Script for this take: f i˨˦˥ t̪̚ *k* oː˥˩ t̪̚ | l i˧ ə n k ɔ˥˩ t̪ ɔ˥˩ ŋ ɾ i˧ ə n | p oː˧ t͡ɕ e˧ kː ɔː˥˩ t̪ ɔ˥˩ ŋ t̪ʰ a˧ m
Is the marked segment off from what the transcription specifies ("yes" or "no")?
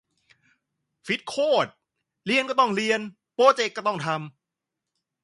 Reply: yes